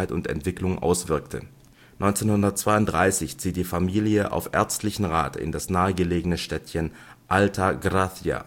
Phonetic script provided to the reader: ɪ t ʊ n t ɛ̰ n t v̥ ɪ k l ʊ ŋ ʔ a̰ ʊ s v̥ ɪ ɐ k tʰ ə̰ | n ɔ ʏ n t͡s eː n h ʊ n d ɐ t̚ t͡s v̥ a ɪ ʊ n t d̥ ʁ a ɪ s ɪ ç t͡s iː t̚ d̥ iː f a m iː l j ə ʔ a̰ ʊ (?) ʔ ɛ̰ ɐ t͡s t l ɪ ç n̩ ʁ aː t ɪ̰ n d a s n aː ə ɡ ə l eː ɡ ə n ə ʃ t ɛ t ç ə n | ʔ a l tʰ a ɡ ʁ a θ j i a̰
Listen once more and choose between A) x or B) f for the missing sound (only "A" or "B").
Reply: B